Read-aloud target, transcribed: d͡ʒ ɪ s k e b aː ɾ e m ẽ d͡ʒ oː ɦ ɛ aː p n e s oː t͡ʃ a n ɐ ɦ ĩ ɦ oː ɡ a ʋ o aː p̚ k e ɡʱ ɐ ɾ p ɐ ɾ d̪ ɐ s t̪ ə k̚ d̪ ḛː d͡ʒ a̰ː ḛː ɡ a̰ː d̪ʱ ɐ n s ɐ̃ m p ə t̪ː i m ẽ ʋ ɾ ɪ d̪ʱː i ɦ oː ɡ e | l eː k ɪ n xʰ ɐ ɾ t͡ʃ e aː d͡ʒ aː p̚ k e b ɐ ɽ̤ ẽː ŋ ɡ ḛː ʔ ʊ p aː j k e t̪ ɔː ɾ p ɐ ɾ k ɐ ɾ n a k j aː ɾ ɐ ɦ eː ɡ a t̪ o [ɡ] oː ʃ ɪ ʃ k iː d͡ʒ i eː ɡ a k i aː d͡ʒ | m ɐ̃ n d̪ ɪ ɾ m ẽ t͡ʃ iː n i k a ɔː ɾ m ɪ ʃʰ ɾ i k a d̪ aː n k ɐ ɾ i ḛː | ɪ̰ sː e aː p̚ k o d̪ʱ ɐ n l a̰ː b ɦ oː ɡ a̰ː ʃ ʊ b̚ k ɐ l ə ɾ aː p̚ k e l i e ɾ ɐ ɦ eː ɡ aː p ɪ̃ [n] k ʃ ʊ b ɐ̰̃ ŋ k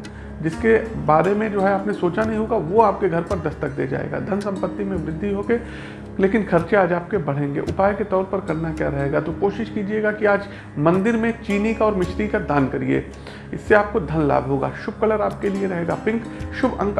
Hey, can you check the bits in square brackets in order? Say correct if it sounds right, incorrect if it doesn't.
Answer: incorrect: k, incorrect: ŋ

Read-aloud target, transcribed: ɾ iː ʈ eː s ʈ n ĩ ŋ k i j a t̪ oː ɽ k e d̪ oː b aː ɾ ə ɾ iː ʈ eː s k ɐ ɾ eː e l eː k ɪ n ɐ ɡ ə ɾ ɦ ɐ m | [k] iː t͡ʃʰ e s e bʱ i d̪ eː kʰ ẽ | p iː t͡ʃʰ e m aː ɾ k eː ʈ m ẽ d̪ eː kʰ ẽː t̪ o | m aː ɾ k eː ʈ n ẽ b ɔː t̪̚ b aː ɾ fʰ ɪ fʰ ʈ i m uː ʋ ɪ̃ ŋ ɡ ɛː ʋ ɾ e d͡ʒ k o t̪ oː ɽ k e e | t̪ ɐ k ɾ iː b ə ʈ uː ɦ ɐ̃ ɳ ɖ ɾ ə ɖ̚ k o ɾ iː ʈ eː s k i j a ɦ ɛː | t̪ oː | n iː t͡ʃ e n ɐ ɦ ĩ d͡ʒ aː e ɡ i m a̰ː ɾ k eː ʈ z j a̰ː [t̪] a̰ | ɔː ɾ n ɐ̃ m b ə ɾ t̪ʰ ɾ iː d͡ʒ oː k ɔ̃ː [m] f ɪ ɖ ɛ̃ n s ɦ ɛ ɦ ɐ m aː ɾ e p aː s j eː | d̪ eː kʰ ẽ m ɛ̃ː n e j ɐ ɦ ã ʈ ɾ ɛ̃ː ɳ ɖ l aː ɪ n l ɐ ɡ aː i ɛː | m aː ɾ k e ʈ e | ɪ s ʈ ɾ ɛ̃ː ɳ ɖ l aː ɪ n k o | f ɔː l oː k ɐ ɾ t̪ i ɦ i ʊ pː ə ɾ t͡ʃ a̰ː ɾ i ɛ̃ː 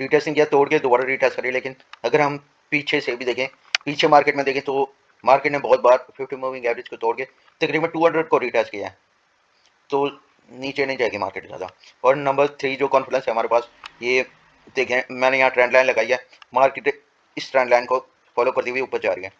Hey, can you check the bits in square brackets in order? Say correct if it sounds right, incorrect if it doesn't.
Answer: incorrect: p, incorrect: d̪, incorrect: n

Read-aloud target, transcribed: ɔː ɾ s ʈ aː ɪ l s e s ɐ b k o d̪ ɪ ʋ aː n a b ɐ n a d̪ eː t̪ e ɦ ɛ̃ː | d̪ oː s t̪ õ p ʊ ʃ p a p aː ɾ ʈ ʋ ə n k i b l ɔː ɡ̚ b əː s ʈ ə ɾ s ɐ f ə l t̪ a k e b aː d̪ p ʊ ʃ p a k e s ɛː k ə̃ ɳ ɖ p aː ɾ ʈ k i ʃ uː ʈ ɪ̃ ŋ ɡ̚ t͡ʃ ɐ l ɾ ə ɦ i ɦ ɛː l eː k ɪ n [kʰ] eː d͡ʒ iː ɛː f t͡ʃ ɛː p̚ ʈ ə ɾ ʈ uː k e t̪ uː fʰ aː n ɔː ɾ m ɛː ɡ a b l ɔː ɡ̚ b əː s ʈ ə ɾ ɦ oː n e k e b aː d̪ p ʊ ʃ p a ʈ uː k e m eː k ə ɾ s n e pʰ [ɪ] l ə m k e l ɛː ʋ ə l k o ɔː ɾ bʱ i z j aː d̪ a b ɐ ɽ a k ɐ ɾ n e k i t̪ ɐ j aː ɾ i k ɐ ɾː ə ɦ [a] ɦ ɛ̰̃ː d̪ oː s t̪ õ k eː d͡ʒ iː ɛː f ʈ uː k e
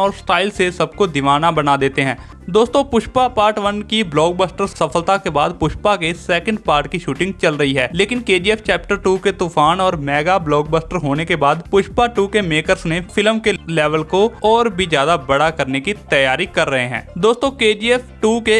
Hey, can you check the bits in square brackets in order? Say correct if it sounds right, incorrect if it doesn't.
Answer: incorrect: k, correct, incorrect: e

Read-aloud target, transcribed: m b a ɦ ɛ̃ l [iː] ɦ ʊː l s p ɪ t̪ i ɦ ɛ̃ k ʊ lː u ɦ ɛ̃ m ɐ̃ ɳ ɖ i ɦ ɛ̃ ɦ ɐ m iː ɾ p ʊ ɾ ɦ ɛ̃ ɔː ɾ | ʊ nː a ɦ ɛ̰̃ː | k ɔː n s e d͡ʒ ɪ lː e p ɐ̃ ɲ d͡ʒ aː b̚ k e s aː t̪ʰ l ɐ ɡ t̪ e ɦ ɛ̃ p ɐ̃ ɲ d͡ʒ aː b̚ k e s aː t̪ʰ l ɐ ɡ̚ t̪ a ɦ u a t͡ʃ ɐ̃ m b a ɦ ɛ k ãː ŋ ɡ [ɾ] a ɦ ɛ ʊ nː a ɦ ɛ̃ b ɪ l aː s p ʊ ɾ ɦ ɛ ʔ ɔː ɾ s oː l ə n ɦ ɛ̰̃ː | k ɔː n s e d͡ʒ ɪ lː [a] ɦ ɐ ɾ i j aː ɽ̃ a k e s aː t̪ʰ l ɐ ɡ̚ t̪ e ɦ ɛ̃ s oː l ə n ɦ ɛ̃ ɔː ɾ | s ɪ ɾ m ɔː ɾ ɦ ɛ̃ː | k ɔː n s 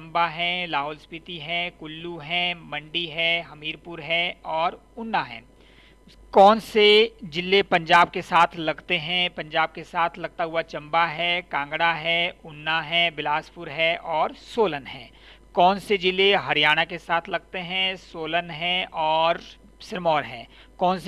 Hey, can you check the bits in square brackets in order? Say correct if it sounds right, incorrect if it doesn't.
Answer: incorrect: aː, incorrect: ɽ, incorrect: e

